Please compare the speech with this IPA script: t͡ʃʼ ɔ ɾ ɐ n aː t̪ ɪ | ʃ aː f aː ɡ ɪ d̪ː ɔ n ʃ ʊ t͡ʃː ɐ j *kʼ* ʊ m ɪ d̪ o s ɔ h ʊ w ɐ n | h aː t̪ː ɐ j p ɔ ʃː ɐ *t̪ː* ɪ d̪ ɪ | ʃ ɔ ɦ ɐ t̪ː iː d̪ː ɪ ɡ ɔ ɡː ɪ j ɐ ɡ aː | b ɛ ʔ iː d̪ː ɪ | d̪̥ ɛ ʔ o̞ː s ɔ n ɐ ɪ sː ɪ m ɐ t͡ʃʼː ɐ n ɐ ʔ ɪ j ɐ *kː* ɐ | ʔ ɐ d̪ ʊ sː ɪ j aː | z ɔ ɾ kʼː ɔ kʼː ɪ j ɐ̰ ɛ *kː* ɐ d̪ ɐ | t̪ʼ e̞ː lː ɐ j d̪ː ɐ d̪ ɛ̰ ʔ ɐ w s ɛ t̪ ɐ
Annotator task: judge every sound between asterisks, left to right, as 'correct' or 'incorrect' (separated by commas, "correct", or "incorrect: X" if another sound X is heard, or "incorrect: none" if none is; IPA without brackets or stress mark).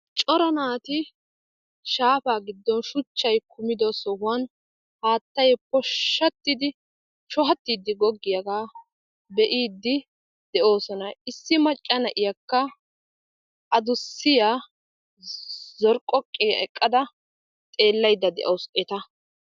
incorrect: k, correct, correct, incorrect: kʼː